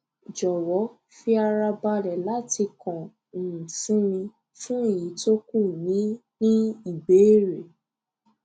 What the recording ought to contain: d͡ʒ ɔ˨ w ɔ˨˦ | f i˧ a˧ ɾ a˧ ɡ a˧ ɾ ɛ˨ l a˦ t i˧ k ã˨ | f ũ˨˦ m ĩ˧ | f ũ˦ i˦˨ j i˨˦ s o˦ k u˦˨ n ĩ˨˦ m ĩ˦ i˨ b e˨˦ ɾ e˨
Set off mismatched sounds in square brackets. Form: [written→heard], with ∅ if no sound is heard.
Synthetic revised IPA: d͡ʒ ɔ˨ w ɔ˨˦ | f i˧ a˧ ɾ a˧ [ɡ→b] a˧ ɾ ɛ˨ l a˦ t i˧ k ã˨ | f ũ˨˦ m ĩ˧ | f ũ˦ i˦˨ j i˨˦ [s→t] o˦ k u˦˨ n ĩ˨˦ [m→n] ĩ˦ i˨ b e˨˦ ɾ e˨